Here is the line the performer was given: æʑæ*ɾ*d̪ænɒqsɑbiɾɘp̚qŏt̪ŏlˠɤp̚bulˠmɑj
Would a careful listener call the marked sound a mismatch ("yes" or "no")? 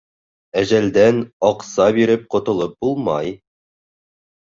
yes